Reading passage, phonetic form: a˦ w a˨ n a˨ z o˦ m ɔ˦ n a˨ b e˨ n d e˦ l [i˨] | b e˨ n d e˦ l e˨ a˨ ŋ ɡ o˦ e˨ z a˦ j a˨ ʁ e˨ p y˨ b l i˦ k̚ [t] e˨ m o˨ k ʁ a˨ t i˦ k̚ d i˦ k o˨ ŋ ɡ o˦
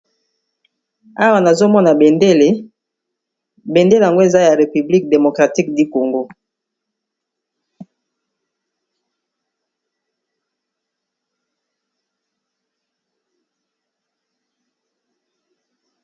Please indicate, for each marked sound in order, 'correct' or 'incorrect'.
incorrect: e˨, incorrect: d

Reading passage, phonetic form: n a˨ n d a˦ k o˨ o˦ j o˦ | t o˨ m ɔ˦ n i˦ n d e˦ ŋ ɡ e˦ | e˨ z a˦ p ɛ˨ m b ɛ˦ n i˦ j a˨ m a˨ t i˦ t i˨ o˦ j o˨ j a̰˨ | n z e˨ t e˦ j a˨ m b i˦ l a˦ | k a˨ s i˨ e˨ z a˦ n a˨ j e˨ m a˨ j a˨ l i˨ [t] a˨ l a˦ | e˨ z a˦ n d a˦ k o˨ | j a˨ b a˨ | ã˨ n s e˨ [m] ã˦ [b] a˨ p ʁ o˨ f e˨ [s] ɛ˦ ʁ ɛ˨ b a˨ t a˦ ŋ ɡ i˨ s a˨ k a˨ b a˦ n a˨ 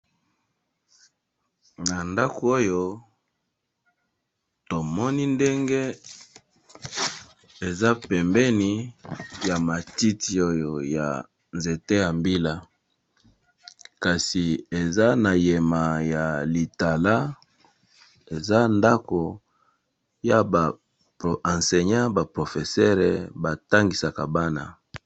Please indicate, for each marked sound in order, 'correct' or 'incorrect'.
correct, incorrect: ɲ, correct, correct

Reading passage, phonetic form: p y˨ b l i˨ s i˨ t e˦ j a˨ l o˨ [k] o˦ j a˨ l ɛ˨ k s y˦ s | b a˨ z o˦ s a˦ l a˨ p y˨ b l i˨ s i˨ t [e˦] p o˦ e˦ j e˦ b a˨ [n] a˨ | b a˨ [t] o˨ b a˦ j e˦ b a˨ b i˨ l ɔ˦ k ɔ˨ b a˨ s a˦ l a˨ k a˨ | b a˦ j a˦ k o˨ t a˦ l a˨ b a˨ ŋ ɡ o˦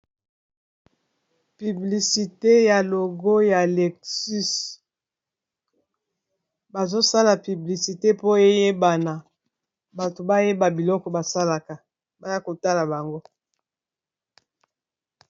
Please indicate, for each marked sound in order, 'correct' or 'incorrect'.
incorrect: ɡ, correct, correct, correct

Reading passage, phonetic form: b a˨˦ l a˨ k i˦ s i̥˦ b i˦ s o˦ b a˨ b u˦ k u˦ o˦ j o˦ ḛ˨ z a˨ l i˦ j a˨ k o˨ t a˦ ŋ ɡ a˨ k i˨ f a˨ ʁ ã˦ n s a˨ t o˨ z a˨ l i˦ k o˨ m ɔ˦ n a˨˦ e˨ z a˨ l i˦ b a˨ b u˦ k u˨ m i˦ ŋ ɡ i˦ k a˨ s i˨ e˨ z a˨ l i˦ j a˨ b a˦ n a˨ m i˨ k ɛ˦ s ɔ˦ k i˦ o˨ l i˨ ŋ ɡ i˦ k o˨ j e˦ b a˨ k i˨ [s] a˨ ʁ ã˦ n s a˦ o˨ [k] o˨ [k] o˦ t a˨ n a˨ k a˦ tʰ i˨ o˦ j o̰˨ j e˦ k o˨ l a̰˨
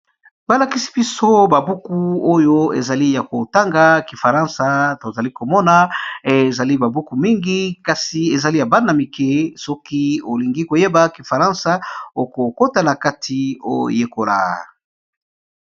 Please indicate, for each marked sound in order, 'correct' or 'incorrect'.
incorrect: f, correct, correct

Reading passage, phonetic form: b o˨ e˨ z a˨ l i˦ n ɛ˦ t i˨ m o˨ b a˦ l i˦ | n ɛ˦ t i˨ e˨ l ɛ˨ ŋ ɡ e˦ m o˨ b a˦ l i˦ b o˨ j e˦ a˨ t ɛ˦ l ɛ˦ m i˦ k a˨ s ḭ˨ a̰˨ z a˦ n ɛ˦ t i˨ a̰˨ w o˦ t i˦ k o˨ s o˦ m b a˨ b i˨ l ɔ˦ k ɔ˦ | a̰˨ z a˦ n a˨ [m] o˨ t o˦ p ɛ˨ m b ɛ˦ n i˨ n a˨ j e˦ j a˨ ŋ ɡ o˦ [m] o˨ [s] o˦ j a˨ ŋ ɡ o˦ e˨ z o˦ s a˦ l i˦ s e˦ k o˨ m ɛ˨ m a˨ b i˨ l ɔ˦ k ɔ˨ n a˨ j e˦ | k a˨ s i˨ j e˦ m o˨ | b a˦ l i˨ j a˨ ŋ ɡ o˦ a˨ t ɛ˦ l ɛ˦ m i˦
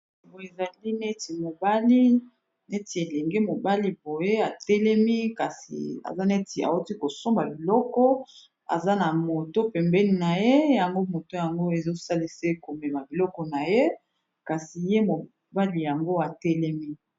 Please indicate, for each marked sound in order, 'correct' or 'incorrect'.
correct, correct, incorrect: t

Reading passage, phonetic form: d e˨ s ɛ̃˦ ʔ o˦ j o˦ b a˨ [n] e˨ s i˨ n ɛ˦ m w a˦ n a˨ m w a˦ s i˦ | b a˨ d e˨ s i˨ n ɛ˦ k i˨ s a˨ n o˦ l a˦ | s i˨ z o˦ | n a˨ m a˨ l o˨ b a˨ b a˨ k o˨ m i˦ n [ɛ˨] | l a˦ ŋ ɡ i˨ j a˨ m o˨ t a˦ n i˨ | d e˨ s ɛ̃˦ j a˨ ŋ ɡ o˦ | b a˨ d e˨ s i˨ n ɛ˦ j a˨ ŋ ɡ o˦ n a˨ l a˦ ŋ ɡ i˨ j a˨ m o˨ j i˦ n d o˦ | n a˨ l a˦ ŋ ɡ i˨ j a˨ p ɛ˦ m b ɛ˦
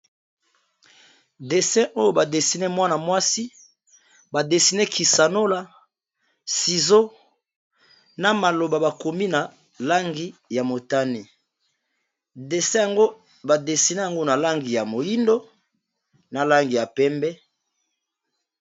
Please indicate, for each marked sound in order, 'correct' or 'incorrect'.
incorrect: d, incorrect: a˨

